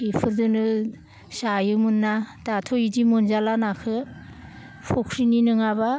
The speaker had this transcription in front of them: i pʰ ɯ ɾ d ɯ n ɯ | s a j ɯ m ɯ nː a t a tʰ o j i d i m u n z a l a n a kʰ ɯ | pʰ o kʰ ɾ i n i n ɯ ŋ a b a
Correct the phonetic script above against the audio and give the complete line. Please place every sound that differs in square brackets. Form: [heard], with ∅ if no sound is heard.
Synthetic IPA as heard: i pʰ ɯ ɾ d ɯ n ɯ | s a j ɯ m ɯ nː a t a tʰ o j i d i m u n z a l a n a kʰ ɯ | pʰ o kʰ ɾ i n i n ɯ ŋ a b a